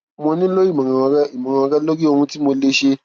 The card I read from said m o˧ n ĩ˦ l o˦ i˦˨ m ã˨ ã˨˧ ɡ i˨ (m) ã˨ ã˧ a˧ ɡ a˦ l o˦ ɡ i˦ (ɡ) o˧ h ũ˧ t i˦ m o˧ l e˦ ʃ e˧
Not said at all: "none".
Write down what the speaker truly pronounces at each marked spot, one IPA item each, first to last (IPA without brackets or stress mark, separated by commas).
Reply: m, none